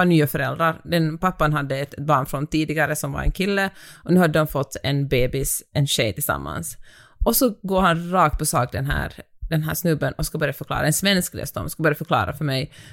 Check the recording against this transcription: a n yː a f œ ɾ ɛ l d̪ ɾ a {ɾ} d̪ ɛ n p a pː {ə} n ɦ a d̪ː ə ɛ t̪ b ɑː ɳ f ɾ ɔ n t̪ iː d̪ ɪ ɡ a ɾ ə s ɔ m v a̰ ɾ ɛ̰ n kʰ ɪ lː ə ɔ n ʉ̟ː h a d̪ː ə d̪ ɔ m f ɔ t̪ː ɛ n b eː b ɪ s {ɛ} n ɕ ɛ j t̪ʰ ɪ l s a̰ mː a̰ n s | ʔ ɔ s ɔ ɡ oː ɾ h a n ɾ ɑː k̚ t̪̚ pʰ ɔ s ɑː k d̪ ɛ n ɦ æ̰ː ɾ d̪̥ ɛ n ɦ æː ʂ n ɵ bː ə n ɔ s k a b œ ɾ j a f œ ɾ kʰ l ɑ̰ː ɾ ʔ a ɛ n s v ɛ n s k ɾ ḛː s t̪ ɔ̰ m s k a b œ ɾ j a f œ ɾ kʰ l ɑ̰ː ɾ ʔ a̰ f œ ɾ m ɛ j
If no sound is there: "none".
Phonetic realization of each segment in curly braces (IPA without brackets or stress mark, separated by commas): ɾ, a, ɛ